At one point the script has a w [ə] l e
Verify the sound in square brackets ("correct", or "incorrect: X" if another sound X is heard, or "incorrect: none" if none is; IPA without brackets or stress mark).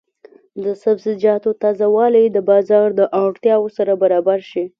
incorrect: ɑ